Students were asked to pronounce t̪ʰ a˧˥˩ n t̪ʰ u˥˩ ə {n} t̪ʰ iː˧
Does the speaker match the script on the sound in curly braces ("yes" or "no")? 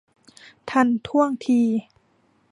no